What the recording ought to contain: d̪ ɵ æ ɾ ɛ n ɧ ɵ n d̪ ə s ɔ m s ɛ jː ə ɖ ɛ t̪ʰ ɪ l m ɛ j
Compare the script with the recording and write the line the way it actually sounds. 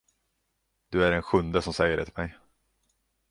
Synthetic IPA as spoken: d̪ ɵ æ ɾ ɛ n ɧ ɵ n d̪ ə s ɔ m s ɛ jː ə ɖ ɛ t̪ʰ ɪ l m ɛ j